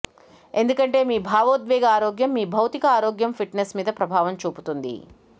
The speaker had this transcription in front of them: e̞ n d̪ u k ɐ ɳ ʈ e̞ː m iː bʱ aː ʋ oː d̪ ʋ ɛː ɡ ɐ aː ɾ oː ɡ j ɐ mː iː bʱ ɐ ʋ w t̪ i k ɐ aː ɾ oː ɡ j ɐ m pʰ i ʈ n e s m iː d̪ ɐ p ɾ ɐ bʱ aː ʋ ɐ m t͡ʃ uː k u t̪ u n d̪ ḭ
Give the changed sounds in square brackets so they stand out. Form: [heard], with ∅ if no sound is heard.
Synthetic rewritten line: e̞ n d̪ u k ɐ ɳ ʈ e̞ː m iː bʱ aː ʋ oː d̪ ʋ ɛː ɡ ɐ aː ɾ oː ɡ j ɐ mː iː bʱ ɐ [∅] w t̪ i k ɐ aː ɾ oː ɡ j ɐ m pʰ i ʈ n e s m iː d̪ ɐ p ɾ ɐ bʱ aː ʋ ɐ m t͡ʃ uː [p] u t̪ u n d̪ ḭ